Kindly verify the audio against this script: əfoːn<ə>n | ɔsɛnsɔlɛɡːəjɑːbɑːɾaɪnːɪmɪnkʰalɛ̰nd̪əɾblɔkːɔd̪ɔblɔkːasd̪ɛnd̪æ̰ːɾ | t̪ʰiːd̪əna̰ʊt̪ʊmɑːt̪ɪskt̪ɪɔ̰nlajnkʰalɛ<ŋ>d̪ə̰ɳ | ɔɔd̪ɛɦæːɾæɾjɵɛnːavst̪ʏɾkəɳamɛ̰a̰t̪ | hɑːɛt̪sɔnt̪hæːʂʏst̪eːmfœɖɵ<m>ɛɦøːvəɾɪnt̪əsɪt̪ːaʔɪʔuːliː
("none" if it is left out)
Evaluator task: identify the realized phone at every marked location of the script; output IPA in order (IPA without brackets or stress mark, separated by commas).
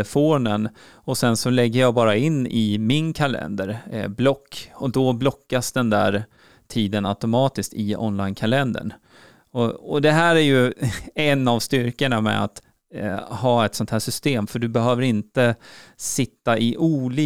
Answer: ə, n, b